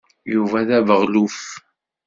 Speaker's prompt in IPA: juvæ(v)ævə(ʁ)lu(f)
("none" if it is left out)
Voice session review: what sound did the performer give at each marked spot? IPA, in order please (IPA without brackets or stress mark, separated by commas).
ð, ʁ, f